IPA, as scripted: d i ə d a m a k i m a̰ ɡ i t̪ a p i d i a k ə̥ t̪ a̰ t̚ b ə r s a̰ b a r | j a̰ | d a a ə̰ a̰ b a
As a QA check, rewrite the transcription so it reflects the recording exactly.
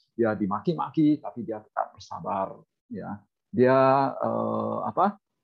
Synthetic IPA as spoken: d i a d i m a k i m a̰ k i t̪ a p i d i a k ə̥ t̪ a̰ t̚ b ə r s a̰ b a r | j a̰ | d i a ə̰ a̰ p a